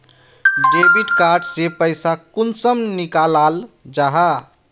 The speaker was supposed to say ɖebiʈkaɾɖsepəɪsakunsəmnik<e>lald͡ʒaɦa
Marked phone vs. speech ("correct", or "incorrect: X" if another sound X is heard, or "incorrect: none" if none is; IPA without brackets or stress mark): incorrect: a